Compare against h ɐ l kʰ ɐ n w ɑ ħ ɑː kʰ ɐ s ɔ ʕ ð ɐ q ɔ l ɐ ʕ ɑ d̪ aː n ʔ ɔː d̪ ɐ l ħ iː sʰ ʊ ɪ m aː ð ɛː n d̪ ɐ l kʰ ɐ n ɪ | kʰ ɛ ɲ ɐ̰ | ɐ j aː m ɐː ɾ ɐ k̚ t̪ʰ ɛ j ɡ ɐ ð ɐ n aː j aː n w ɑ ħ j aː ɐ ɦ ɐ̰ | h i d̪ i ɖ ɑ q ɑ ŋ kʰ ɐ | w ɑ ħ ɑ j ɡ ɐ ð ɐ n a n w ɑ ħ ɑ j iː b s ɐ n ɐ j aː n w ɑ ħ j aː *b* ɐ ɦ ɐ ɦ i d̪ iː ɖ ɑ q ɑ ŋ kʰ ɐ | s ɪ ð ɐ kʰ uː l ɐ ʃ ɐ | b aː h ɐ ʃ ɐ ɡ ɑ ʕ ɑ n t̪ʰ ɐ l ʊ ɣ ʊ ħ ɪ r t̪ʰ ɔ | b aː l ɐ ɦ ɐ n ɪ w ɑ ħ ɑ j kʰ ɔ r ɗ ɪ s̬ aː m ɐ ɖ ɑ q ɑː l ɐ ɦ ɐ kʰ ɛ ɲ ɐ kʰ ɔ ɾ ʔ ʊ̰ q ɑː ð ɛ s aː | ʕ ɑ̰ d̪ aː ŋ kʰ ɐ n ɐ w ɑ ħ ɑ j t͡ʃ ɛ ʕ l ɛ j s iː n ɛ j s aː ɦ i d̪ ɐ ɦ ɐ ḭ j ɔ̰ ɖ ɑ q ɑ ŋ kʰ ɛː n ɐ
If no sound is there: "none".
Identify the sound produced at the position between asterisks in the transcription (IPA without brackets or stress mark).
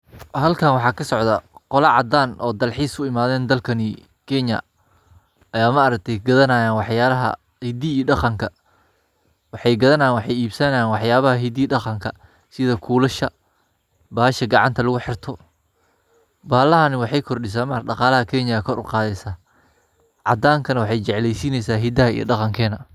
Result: β